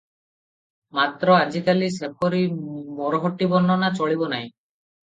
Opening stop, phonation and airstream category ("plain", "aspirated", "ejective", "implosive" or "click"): plain